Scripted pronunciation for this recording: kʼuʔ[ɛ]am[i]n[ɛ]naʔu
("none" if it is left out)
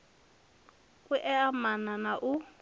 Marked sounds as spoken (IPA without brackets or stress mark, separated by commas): ɛ, a, a